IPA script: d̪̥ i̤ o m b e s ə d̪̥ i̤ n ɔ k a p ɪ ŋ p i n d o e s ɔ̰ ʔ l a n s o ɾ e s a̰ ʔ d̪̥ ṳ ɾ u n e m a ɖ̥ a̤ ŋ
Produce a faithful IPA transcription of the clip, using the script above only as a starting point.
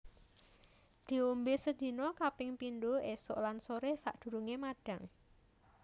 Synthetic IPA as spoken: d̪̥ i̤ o m b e s ə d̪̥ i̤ n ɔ k a p ɪ ŋ p i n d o e s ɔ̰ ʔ l a n s o ɾ e s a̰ ʔ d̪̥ ṳ ɾ u ŋ e m a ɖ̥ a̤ ŋ